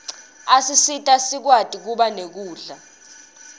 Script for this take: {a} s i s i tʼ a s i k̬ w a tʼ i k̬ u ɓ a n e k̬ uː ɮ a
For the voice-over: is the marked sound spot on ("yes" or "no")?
yes